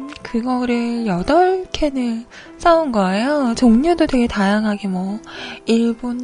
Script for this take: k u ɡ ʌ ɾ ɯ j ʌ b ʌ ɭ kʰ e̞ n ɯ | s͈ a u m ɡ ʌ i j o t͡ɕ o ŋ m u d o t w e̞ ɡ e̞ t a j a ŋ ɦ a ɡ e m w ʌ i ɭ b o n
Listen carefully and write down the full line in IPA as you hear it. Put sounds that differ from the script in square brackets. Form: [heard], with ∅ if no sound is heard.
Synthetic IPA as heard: k [ɯ] ɡ ʌ ɾ ɯ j ʌ [d] ʌ ɭ kʰ e̞ n ɯ | s͈ a u [n] ɡ ʌ [e] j o t͡ɕ o ŋ [ɲ] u d o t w e̞ ɡ e̞ t a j a ŋ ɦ a ɡ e m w ʌ i ɭ b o n